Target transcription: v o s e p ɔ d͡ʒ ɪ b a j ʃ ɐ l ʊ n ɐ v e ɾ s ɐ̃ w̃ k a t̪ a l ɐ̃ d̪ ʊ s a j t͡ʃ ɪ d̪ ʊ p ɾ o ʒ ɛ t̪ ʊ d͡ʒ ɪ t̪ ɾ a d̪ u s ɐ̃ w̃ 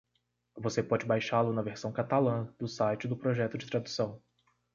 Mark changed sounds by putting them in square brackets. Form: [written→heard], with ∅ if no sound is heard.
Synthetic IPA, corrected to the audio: v o s e p ɔ d͡ʒ ɪ b a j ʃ [ɐ→a] l ʊ n ɐ v e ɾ s ɐ̃ w̃ k a t̪ a l ɐ̃ d̪ ʊ s a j t͡ʃ ɪ d̪ ʊ p ɾ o ʒ ɛ t̪ ʊ d͡ʒ ɪ t̪ ɾ a d̪ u s ɐ̃ w̃